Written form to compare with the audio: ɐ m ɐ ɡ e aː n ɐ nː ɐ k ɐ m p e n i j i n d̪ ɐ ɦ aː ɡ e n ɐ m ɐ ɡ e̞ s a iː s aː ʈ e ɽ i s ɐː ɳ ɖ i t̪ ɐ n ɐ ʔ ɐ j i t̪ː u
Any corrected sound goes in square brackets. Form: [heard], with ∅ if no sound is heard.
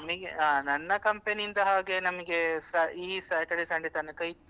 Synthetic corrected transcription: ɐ m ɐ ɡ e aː n ɐ nː ɐ k ɐ m p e n i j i n d̪ ɐ ɦ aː ɡ e n ɐ m ɐ ɡ e̞ s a iː s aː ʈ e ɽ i s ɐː ɳ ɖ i t̪ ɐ n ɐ [k] ɐ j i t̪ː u